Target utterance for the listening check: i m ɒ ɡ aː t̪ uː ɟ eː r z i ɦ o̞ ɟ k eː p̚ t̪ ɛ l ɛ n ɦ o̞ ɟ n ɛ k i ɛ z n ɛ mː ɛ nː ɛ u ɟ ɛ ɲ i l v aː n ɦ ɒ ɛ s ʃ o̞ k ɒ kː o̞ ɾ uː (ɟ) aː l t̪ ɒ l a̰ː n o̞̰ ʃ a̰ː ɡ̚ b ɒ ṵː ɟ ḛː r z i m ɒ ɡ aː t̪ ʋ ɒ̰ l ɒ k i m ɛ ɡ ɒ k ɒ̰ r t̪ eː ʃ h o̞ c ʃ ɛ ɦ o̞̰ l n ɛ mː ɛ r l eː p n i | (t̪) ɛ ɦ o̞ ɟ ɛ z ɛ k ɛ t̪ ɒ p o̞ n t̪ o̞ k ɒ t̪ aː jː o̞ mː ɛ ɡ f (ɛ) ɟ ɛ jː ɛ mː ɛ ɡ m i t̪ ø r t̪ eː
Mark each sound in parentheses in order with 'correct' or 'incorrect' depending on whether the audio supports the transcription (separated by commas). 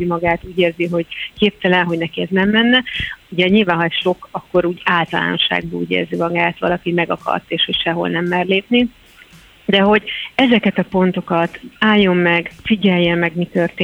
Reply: correct, incorrect, incorrect